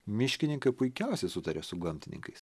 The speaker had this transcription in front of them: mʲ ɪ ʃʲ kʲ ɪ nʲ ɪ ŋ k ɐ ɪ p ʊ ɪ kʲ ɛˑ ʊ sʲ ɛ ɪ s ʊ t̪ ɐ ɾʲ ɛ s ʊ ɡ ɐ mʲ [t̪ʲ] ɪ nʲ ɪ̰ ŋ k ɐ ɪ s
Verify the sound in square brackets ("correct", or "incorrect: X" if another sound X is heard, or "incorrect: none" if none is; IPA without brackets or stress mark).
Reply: correct